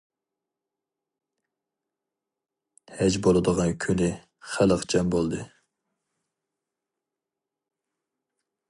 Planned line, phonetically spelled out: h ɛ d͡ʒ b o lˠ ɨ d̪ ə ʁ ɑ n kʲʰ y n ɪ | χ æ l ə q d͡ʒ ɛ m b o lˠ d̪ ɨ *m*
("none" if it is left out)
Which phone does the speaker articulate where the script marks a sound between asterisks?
none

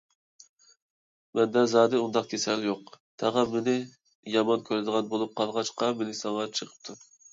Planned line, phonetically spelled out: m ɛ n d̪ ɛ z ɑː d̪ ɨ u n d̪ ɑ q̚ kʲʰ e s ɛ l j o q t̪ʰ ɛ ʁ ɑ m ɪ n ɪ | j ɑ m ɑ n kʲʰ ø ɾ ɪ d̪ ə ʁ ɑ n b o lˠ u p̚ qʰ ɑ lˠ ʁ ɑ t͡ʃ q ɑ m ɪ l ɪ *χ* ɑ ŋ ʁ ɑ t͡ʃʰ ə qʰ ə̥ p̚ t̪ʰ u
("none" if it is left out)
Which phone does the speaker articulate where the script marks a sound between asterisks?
s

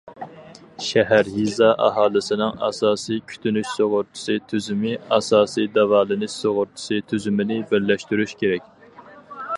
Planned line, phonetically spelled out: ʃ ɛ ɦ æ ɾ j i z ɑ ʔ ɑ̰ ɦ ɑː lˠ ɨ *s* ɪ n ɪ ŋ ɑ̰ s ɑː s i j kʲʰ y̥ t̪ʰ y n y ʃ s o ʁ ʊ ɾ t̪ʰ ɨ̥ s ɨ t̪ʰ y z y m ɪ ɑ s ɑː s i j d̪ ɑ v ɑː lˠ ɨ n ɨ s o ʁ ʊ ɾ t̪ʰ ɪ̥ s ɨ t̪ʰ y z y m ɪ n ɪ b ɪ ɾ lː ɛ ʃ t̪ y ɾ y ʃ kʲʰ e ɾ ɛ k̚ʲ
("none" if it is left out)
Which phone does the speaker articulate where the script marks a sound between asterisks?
s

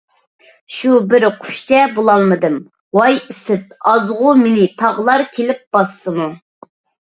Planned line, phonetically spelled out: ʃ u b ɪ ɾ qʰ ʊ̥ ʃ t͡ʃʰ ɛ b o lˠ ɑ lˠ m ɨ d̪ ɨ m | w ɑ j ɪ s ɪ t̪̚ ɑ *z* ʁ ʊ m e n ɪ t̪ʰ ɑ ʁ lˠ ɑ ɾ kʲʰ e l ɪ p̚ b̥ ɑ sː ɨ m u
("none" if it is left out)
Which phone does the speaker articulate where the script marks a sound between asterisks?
z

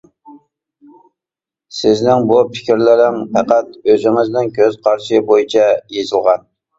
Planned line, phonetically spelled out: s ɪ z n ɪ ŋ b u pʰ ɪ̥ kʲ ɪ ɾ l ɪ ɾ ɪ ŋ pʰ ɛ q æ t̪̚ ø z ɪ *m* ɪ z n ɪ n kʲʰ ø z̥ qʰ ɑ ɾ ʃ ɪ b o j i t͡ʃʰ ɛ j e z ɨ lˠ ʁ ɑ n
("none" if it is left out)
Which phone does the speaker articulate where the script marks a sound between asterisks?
ŋ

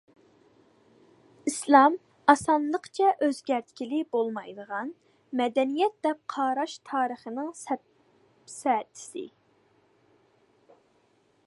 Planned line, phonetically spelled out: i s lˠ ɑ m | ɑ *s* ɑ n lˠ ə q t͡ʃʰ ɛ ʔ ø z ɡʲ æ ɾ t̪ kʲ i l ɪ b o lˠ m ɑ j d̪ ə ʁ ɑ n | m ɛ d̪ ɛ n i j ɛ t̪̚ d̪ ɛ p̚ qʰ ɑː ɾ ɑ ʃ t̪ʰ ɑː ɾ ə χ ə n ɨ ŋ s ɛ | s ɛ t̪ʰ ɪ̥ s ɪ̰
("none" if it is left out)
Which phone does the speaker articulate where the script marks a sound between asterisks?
s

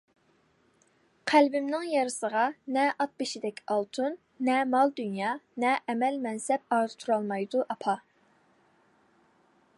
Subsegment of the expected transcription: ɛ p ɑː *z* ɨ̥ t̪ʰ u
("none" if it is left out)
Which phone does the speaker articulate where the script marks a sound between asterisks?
z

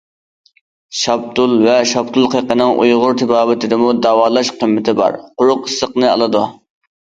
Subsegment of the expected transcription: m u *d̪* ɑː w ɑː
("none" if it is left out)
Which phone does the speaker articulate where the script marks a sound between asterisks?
d̪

